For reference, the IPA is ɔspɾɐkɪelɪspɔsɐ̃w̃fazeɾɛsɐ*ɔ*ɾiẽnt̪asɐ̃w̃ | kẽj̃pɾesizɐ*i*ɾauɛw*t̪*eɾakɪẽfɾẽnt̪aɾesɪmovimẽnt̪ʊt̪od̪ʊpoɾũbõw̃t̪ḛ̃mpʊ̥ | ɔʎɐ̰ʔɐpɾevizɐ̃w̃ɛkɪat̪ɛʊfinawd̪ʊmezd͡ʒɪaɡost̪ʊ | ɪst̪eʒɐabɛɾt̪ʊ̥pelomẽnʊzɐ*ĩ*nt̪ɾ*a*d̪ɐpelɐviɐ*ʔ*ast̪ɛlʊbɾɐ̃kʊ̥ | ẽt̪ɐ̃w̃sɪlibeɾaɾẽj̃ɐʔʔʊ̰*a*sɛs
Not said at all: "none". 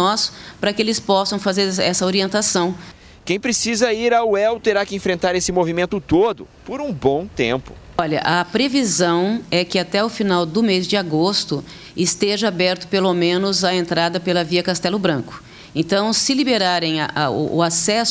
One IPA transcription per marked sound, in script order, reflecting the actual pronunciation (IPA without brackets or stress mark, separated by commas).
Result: o, i, t̪, ẽ, a, k, a